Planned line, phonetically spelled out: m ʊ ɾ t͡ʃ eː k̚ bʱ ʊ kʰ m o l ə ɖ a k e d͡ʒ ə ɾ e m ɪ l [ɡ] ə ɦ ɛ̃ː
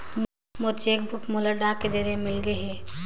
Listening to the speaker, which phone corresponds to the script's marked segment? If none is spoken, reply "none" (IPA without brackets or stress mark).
ɡ